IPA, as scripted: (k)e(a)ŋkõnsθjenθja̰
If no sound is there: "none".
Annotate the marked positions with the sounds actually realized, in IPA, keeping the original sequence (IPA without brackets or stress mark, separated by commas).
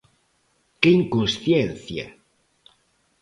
k, i